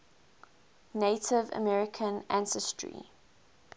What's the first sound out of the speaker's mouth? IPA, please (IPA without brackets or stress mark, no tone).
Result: n